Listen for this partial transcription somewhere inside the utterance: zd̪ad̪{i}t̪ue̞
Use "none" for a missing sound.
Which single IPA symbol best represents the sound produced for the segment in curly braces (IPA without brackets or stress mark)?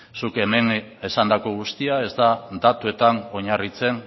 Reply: a